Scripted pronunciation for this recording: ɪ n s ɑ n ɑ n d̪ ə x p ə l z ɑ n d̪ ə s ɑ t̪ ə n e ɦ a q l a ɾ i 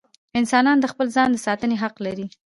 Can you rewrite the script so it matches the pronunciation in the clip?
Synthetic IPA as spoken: ɪ n s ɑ n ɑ n d̪ ə x p ə l z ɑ n d̪ ə s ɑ t̪ ə n e ɦ a q l a ɾ i